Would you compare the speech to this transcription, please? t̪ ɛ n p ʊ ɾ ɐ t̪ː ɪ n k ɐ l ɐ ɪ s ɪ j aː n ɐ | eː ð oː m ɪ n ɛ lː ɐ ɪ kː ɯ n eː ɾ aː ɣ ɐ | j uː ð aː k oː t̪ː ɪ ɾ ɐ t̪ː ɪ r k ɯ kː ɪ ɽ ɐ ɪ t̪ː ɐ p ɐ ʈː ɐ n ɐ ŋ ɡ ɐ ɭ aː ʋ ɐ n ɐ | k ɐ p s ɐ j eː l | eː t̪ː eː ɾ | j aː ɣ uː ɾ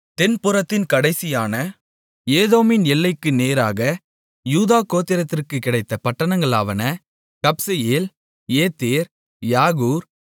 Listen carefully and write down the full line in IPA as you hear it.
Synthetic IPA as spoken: t̪ ɛ n p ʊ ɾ ɐ t̪ː ɪ n k ɐ ɽ ɐ ɪ s ɪ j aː n ɐ | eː ð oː m ɪ n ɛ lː ɐ ɪ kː ɯ n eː ɾ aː ɣ ɐ | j uː ð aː k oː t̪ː ɪ ɾ ɐ t̪ː ɪ r k ɯ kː ɪ ɽ ɐ ɪ t̪ː ɐ p ɐ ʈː ɐ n ɐ ŋ ɡ ɐ ɭ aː ʋ ɐ n ɐ | k ɐ p s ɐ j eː l | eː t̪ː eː ɾ | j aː ɣ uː ɾ

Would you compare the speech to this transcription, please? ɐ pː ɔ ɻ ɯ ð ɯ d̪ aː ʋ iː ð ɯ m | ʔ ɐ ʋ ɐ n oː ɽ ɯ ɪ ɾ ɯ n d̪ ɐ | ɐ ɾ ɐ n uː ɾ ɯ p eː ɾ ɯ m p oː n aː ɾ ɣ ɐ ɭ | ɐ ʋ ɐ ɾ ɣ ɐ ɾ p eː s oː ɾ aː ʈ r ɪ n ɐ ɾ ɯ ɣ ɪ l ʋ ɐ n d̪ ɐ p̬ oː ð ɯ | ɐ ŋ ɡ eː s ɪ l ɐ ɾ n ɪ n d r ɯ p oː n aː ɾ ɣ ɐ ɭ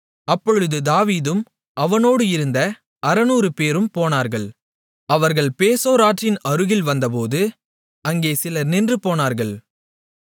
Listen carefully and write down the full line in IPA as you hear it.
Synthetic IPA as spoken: ɐ pː ɔ ɻ ɯ ð ɯ d̪ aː ʋ iː ð ɯ m | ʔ ɐ ʋ ɐ n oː ɽ ɯ ɪ ɾ ɯ n d̪ ɐ | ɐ ɾ ɐ n uː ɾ ɯ p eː ɾ ɯ m p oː n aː ɾ ɣ ɐ ɭ | ɐ ʋ ɐ ɾ ɣ ɐ ɭ p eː s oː ɾ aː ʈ r ɪ n ɐ ɾ ɯ ɣ ɪ l ʋ ɐ n d̪ ɐ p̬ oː ð ɯ | ɐ ŋ ɡ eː s ɪ l ɐ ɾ n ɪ n d r ɯ p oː n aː ɾ ɣ ɐ ɭ

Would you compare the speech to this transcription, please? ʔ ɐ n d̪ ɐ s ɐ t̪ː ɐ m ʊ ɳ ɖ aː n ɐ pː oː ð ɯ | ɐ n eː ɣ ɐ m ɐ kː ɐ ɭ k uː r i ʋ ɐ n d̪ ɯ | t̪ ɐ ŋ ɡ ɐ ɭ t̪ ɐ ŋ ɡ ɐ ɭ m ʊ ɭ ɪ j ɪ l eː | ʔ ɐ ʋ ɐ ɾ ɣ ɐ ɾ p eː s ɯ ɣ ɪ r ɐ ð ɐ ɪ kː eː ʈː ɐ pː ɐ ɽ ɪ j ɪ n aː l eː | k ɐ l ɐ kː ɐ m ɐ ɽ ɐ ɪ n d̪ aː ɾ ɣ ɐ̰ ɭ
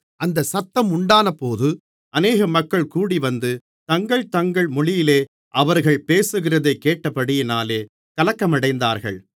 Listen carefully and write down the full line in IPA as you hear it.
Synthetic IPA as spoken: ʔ ɐ n d̪ ɐ s ɐ t̪ː ɐ m ʊ ɳ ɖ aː n ɐ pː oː ð ɯ | ɐ n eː ɣ ɐ m ɐ kː ɐ ɭ k uː ɽ i ʋ ɐ n d̪ ɯ | t̪ ɐ ŋ ɡ ɐ ɭ t̪ ɐ ŋ ɡ ɐ ɭ m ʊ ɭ ɪ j ɪ l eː | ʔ ɐ ʋ ɐ ɾ ɣ ɐ ɭ p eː s ɯ ɣ ɪ r ɐ ð ɐ ɪ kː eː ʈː ɐ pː ɐ ɽ ɪ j ɪ n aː l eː | k ɐ l ɐ kː ɐ m ɐ ɽ ɐ ɪ n d̪ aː ɾ ɣ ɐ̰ ɭ

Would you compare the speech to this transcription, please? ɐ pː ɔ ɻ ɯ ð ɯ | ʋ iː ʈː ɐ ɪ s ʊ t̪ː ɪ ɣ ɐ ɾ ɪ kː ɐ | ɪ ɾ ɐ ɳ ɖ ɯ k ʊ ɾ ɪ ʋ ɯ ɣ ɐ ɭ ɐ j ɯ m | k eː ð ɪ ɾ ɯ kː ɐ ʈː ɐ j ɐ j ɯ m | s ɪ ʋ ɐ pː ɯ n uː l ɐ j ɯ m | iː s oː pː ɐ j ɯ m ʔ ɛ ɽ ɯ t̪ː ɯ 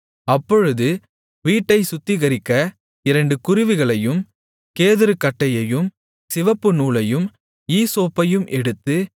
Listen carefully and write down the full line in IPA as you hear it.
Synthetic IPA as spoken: ɐ pː ɔ ɻ ɯ ð ɯ | ʋ iː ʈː ɐ ɪ s ʊ t̪ː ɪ ɣ ɐ ɾ ɪ kː ɐ | ɪ ɾ ɐ ɳ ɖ ɯ k ʊ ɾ ɪ ʋ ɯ ɣ ɐ ɭ ɐ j ɯ m | k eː ð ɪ ɾ ɯ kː ɐ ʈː ɐ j ɐ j ɯ m | s ɪ ʋ ɐ pː ɯ n uː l ɐ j ɯ m | iː s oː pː ɐ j ɯ m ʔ ɛ ɽ ɯ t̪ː ɯ

